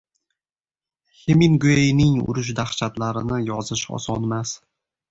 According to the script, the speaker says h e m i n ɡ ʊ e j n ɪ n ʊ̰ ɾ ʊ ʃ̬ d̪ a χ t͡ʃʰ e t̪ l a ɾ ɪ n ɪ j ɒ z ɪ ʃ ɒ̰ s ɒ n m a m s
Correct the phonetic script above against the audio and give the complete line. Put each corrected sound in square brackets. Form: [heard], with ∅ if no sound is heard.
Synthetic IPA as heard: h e m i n ɡ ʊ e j n ɪ [ŋ] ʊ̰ ɾ ʊ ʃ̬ d̪ a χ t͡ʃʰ [a] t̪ l a ɾ ɪ n ɪ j ɒ z ɪ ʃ ɒ̰ s ɒ n m a [∅] s